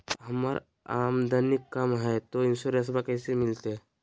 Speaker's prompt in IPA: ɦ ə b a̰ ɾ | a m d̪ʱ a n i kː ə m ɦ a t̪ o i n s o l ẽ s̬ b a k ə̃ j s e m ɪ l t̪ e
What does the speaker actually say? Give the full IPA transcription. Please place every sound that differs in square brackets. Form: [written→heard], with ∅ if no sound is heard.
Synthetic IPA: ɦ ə [b→m] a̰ ɾ | a m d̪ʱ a n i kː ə m ɦ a t̪ o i n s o [l→ɾ] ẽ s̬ b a k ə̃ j s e m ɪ l t̪ e

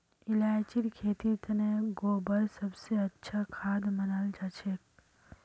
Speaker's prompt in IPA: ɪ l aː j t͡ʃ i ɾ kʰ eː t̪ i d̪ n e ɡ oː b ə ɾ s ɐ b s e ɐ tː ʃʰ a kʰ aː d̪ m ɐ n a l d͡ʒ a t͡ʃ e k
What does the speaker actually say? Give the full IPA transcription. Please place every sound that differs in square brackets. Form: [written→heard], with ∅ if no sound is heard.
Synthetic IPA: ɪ l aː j t͡ʃ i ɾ kʰ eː t̪ i [d̪→t̪] n e ɡ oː b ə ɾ s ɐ b s e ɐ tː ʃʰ a kʰ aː d̪ m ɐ n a l d͡ʒ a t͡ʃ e k

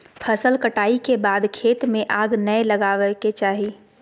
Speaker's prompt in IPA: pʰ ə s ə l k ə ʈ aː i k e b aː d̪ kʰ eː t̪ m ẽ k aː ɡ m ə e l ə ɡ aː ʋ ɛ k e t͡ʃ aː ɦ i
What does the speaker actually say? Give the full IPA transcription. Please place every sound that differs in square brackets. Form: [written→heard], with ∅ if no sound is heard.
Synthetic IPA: pʰ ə s ə l k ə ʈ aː i k e b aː d̪ kʰ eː t̪ m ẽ [k→ʔ] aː ɡ [m→n] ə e l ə ɡ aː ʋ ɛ k e t͡ʃ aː ɦ i

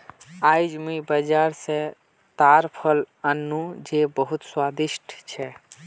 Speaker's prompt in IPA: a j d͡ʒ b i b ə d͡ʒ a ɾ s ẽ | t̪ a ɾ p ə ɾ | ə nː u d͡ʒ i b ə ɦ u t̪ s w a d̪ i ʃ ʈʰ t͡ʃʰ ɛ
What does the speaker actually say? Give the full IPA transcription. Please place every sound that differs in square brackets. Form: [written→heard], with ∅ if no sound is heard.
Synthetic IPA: a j d͡ʒ [b→m] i b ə d͡ʒ a ɾ s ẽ | t̪ a ɾ [p→pʰ] ə [ɾ→l] | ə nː u d͡ʒ [i→e] b ə ɦ u t̪ s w a d̪ i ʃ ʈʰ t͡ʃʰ ɛ

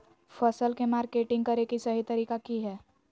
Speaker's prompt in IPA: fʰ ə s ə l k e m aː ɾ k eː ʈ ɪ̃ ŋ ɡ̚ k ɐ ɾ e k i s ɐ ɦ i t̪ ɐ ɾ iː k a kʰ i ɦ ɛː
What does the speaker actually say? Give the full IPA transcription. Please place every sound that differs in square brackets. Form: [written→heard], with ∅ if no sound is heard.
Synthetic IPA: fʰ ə s ə l k e m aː ɾ k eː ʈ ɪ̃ ŋ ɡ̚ k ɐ ɾ e k i s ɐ ɦ i t̪ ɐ ɾ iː k a [kʰ→k] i ɦ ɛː

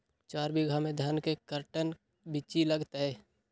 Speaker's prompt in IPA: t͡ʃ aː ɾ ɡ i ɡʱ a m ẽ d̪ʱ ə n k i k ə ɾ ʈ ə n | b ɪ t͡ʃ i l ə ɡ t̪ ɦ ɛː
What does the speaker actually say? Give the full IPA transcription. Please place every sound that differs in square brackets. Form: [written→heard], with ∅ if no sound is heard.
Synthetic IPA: t͡ʃ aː ɾ [ɡ→b] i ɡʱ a m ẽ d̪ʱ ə n k [i→e] k ə ɾ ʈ ə n | b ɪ t͡ʃ i l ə ɡ t̪ ɦ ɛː

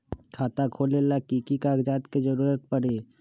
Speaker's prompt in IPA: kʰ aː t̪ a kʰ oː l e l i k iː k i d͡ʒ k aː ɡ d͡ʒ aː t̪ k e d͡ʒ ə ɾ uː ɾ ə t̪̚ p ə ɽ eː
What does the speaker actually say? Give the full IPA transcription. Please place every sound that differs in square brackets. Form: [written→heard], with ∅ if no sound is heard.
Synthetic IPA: kʰ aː t̪ a kʰ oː l e l [i→a] k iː k i [d͡ʒ→∅] k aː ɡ d͡ʒ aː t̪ k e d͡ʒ ə ɾ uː ɾ ə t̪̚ p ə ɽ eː

